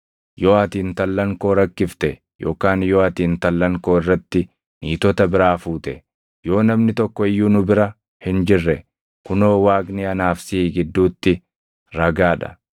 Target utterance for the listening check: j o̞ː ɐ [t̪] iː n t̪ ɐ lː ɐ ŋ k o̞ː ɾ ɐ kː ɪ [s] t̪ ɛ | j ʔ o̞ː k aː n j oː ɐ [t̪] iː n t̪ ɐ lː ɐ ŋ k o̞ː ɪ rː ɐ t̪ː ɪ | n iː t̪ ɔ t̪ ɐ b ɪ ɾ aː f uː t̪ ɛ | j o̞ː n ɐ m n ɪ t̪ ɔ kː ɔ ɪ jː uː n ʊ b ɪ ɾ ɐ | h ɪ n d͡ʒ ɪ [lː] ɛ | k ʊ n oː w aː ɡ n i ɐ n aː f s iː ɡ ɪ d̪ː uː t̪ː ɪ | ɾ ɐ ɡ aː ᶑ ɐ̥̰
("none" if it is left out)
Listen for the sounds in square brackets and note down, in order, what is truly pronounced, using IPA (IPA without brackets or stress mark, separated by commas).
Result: t̪, f, t̪, rː